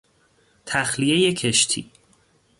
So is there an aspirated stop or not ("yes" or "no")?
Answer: yes